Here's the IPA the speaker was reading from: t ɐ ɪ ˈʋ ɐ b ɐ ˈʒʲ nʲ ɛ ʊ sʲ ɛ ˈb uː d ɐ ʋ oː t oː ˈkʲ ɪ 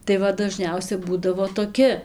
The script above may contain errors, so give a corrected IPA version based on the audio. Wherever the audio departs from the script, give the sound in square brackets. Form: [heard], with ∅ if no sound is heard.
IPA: t ɐ ɪ ˈʋ ɐ [d] ɐ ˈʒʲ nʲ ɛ ʊ sʲ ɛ ˈb uː d ɐ ʋ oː t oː ˈkʲ ɪ